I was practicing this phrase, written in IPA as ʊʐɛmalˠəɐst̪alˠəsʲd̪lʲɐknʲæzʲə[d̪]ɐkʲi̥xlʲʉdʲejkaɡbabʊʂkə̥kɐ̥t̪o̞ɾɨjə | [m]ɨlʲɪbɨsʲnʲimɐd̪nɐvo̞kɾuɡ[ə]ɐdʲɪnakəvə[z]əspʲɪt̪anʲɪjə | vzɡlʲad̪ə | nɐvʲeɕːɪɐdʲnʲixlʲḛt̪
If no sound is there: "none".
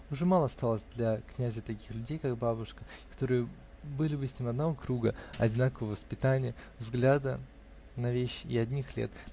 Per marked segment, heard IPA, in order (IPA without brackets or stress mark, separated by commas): t̪, b, ə, v